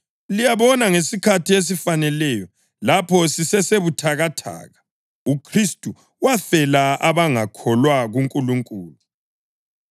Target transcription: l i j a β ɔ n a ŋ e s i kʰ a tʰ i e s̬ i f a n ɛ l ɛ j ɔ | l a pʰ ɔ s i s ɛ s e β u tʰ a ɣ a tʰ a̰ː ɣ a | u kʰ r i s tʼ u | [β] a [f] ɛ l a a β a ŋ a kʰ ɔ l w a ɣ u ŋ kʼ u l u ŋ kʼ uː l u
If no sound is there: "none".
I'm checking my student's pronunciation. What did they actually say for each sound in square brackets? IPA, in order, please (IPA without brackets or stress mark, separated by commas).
w, f